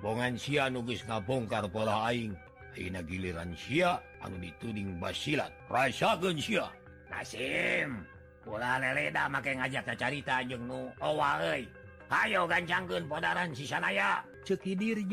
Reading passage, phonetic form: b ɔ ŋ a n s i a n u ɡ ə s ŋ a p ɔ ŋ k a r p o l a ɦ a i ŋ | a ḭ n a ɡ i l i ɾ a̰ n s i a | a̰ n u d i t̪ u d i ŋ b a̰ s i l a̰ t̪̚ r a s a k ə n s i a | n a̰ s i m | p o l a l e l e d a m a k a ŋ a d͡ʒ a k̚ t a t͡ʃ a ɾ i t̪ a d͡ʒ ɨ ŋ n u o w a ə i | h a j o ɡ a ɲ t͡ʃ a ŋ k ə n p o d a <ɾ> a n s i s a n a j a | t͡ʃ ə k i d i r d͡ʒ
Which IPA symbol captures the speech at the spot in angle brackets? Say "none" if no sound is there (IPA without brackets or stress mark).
ɾ